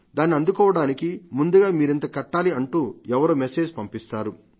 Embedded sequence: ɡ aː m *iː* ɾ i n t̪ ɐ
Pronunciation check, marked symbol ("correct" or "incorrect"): correct